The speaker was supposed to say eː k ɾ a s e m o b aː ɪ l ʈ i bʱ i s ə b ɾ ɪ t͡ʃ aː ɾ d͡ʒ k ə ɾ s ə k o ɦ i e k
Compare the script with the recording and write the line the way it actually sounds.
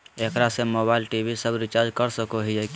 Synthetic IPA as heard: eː k ɾ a s e m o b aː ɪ l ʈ i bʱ i s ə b ɾ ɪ t͡ʃ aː ɾ d͡ʒ k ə ɾ s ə k o ɦ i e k